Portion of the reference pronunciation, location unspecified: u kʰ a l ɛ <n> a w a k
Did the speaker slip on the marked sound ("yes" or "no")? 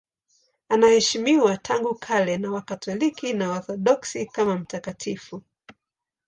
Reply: no